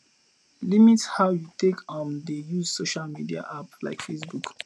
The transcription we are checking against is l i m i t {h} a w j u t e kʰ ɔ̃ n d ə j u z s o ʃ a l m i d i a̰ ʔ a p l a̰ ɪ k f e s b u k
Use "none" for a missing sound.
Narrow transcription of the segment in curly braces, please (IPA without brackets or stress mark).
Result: h